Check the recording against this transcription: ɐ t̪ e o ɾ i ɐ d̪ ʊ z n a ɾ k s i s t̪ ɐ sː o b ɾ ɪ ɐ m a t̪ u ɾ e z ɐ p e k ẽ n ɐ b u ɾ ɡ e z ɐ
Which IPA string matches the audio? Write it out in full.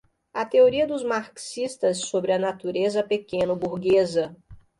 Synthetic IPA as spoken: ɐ t̪ e o ɾ i ɐ d̪ ʊ z m a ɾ k s i s t̪ ɐ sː o b ɾ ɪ ɐ n a t̪ u ɾ e z ɐ p e k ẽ n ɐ b u ɾ ɡ e z ɐ